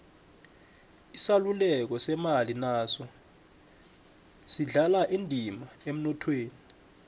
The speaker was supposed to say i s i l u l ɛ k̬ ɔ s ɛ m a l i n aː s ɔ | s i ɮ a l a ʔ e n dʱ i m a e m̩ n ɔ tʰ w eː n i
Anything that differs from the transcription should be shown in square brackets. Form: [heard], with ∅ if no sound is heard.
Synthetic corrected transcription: i s [a] l u l ɛ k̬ ɔ s ɛ m a l i n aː s ɔ | s i ɮ a l a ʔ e n dʱ i m a e m̩ n ɔ tʰ w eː n i